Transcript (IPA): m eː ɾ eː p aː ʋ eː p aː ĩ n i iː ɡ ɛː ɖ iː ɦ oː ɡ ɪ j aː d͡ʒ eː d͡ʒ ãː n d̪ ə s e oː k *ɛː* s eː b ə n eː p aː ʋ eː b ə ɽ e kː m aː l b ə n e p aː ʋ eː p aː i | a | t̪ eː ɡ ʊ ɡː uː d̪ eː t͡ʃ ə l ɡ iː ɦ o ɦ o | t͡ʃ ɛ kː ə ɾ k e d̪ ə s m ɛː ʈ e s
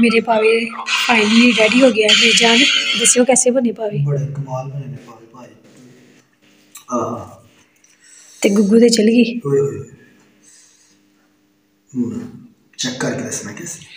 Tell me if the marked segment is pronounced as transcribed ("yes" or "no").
yes